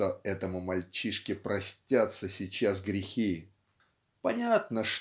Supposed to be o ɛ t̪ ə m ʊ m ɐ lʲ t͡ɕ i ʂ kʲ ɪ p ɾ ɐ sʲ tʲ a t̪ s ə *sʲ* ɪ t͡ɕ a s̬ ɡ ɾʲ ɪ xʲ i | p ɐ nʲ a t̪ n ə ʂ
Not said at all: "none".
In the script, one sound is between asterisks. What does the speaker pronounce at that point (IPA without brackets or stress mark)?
sʲ